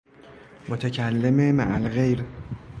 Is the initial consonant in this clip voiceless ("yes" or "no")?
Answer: no